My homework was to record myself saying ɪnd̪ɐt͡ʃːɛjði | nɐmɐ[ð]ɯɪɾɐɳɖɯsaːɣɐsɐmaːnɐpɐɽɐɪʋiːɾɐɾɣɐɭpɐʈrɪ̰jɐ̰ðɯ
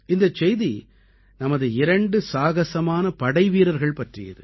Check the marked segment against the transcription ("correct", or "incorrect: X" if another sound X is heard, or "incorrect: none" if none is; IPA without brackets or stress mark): correct